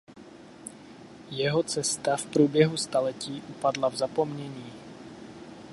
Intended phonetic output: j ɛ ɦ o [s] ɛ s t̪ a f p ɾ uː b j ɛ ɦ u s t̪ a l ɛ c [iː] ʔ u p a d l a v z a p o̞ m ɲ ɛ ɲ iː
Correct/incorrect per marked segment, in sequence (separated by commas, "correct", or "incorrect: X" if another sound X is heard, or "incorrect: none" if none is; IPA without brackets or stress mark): incorrect: t͡s, correct